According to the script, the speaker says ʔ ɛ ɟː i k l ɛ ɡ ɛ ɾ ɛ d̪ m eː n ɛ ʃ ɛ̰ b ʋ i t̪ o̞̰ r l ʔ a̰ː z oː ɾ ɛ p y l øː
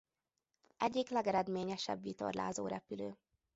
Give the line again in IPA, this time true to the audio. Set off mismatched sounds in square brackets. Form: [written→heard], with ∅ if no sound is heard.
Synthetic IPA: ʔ ɛ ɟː i k l ɛ ɡ ɛ ɾ ɛ d̪ m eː [n→ɲ] ɛ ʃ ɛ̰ b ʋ i t̪ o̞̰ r l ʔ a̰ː z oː ɾ ɛ p y l øː

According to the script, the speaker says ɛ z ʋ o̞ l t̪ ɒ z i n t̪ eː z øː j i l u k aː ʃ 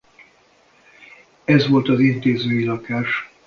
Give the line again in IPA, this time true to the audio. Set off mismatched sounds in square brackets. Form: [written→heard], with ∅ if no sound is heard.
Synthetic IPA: ɛ z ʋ o̞ l t̪ ɒ z i n t̪ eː z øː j i l [u→ɒ] k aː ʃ

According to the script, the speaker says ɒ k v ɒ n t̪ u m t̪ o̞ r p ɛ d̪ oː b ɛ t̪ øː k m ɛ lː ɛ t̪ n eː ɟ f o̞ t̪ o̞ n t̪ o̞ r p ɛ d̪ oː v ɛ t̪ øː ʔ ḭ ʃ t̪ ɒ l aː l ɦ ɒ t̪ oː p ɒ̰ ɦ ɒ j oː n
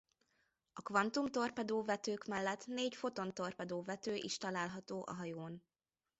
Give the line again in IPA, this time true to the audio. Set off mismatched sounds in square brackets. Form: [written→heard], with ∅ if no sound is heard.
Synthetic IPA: ɒ k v ɒ n t̪ u m t̪ o̞ r p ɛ d̪ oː [b→v] ɛ t̪ øː k m ɛ lː ɛ t̪ n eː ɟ f o̞ t̪ o̞ n t̪ o̞ r p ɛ d̪ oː v ɛ t̪ øː ʔ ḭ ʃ t̪ ɒ l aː l ɦ ɒ t̪ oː [p→ʔ] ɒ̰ ɦ ɒ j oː n

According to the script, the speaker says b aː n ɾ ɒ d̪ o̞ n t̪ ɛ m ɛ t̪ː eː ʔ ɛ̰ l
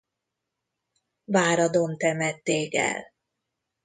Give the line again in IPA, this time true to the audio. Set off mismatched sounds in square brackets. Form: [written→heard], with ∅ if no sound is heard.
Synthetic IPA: [b→v] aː [n→∅] ɾ ɒ d̪ o̞ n t̪ ɛ m ɛ t̪ː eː [ʔ→k] ɛ̰ l

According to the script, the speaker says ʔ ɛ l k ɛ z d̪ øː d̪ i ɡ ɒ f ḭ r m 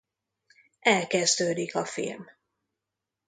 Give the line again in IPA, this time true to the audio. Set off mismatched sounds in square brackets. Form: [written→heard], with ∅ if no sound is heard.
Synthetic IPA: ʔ ɛ l k ɛ z d̪ øː d̪ i [ɡ→k] ɒ f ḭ [r→l] m

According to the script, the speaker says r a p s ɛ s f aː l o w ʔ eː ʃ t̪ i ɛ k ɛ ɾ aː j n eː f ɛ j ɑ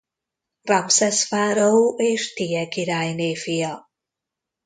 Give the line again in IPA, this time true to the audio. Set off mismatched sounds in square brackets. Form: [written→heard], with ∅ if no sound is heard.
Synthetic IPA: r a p s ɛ s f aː [l→ɾ] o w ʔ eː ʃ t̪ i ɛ k [ɛ→i] ɾ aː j n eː f [ɛ→i] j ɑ

